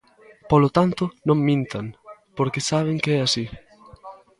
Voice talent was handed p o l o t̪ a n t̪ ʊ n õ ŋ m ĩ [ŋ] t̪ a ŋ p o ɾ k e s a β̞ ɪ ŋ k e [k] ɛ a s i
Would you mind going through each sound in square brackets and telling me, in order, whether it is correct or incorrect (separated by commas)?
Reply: incorrect, incorrect